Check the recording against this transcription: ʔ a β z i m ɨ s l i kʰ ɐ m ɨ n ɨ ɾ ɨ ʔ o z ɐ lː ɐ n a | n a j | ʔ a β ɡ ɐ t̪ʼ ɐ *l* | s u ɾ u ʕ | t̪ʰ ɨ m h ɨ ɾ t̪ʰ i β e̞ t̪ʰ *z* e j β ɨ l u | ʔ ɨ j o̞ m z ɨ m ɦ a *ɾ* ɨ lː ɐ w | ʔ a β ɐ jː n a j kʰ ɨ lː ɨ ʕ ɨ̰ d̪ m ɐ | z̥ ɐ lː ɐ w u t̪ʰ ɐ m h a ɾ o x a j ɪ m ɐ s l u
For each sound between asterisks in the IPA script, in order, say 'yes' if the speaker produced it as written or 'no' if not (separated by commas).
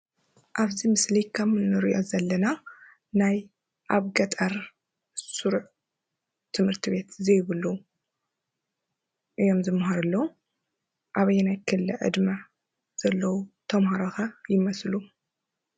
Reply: no, yes, yes